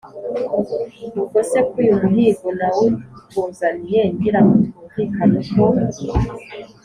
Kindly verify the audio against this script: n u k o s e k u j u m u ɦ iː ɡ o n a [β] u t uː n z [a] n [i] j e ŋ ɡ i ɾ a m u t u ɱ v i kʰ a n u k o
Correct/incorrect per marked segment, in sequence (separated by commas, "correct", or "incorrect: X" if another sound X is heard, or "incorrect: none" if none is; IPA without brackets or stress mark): incorrect: w, correct, correct